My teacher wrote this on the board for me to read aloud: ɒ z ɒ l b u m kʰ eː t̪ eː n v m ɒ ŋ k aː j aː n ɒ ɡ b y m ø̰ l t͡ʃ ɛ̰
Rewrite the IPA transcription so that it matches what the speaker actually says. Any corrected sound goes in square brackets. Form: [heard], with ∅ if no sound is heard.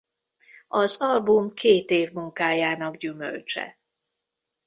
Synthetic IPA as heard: ɒ z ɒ l b u m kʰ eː t̪ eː [∅] v m [u] ŋ k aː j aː n ɒ ɡ [ɟ] y m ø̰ l t͡ʃ ɛ̰